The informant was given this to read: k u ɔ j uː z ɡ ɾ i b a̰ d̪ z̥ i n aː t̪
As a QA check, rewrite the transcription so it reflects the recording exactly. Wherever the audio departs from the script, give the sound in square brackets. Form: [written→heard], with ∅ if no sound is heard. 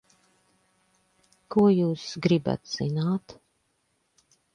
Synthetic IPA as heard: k u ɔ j uː [z→s] ɡ ɾ i b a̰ [d̪→t̪] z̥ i n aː t̪